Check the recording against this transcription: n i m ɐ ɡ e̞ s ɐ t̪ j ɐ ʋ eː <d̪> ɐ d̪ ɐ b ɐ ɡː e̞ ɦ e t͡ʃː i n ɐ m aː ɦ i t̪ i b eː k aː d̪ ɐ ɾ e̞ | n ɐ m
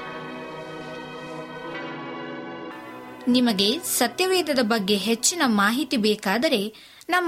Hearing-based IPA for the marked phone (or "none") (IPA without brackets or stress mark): d̪